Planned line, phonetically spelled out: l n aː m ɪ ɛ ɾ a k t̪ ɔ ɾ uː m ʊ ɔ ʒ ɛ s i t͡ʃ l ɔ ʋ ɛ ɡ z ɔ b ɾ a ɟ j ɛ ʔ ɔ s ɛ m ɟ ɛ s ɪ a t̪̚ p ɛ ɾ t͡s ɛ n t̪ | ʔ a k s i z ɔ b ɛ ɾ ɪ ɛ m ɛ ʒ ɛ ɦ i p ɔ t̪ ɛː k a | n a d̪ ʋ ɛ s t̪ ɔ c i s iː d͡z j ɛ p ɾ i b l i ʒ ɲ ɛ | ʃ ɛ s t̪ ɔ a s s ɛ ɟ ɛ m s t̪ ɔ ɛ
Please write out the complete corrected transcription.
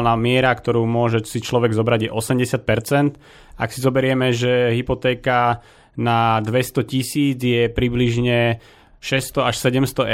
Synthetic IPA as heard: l n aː m ɪ ɛ ɾ a k t̪ ɔ ɾ uː m ʊ ɔ ʒ ɛ s i t͡ʃ l ɔ ʋ ɛ ɡ z ɔ b ɾ a ɟ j ɛ ʔ ɔ s ɛ m ɟ ɛ s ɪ a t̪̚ p ɛ ɾ t͡s ɛ n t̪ | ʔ a k s i z ɔ b ɛ ɾ ɪ ɛ m ɛ ʒ ɛ ɦ i p ɔ t̪ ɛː k a | n a d̪ ʋ ɛ s t̪ ɔ c i s iː d͡z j ɛ p ɾ i b l i ʒ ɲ ɛ | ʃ ɛ s t̪ ɔ a ʃ s ɛ ɟ ɛ m s t̪ ɔ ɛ